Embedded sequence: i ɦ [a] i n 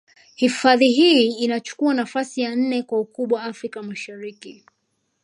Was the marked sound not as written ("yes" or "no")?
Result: yes